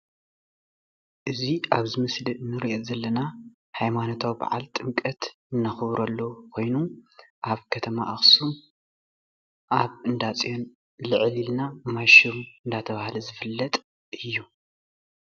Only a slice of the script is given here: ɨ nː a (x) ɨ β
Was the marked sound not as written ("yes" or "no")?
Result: no